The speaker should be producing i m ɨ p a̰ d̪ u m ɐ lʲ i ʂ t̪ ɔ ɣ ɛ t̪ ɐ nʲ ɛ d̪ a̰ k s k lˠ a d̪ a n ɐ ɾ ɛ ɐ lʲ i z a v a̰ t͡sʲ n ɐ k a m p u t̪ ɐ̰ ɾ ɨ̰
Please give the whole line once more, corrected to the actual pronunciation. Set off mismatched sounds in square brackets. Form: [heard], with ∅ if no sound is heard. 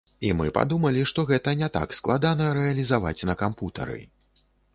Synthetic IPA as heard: i m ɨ p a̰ d̪ u m ɐ lʲ i ʂ t̪ ɔ ɣ ɛ t̪ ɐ nʲ ɛ [t̪] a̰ k s k lˠ a d̪ a n ɐ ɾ ɛ ɐ lʲ i z a v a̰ t͡sʲ n ɐ k a m p u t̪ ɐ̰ ɾ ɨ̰

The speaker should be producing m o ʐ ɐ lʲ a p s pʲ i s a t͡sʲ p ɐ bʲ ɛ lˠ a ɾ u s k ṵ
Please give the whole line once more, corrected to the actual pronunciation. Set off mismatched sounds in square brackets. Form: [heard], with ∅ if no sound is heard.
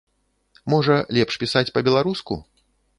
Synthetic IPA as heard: m [ɔ] ʐ ɐ lʲ [ɛ] p [ʂ] pʲ i s a t͡sʲ p ɐ bʲ ɛ lˠ a ɾ u s k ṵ

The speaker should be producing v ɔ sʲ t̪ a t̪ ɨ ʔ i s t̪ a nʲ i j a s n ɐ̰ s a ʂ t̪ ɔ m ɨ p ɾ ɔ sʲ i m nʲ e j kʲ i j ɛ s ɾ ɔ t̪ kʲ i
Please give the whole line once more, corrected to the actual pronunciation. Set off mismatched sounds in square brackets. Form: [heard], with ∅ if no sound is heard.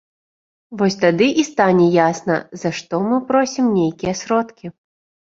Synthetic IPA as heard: v ɔ sʲ t̪ a [d̪] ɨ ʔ i s t̪ a nʲ [ɛ] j a s n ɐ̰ [z] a ʂ t̪ ɔ m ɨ p ɾ ɔ sʲ i m nʲ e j kʲ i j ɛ s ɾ ɔ t̪ kʲ i

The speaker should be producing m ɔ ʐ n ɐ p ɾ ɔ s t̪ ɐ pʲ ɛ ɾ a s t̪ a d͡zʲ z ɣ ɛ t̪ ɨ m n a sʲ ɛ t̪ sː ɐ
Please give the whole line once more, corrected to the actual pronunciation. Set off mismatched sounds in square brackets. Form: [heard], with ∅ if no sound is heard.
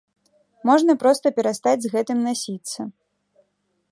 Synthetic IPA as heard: m ɔ ʐ n ɐ p ɾ ɔ s t̪ ɐ pʲ ɛ ɾ a s t̪ a d͡zʲ z ɣ ɛ t̪ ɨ m n a sʲ [i] t̪ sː ɐ

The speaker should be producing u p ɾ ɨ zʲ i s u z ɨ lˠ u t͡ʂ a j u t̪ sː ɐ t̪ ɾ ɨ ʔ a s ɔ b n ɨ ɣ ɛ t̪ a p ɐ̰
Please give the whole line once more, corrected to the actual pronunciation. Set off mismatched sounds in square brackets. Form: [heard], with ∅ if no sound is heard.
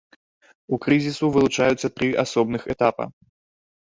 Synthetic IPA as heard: u [k] ɾ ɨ zʲ i s u [v] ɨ lˠ u t͡ʂ a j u t̪ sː ɐ t̪ ɾ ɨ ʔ a s ɔ b n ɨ [x] ɛ t̪ a p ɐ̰

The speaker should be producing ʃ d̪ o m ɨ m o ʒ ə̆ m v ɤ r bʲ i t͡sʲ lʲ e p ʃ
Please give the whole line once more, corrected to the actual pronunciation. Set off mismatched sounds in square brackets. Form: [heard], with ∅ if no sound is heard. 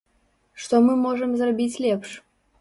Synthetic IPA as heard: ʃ [t̪] o m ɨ m o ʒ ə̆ m [z] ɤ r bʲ i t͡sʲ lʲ e p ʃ

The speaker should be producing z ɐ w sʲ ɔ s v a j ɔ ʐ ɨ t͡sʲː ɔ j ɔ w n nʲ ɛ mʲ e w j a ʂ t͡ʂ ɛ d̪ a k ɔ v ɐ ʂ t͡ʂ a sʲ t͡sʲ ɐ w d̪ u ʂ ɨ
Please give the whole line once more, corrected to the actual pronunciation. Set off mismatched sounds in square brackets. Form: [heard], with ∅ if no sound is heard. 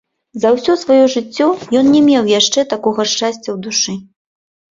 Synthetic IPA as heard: z ɐ w sʲ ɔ s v a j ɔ ʐ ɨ t͡sʲː ɔ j ɔ [∅] n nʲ ɛ mʲ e w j a ʂ t͡ʂ ɛ [t̪] a k ɔ [ɣ] ɐ ʂ t͡ʂ a sʲ t͡sʲ ɐ w d̪ u ʂ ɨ

